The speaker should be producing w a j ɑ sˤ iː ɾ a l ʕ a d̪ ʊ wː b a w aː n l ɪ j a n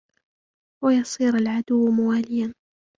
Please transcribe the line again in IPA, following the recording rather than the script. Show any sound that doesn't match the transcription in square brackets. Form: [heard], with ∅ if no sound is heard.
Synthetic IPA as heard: w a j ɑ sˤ iː ɾ a l ʕ a d̪ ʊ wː [m] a w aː [∅] l ɪ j a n